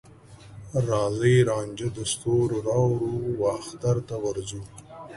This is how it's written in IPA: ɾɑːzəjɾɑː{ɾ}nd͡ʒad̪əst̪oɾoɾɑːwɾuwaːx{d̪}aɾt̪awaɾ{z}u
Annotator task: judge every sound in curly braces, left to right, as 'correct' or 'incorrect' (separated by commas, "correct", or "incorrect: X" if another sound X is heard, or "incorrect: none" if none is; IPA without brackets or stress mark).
incorrect: none, incorrect: t̪, correct